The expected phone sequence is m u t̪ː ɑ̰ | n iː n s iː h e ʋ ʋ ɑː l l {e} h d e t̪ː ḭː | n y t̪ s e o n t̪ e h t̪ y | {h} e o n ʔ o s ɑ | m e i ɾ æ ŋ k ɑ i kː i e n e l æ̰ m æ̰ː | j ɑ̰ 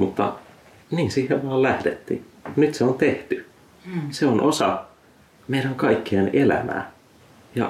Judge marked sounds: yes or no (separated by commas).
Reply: no, no